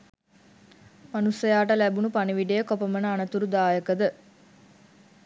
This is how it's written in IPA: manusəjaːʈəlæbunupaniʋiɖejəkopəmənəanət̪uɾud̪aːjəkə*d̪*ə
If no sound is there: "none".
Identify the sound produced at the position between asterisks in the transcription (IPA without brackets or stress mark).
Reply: d̪